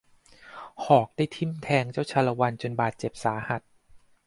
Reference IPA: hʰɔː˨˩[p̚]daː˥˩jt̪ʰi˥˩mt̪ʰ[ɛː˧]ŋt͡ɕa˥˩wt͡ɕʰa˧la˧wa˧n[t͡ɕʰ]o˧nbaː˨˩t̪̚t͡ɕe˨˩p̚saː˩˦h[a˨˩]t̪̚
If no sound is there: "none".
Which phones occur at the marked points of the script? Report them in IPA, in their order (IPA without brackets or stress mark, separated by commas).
k̚, ɛː˧, t͡ɕ, a˨˩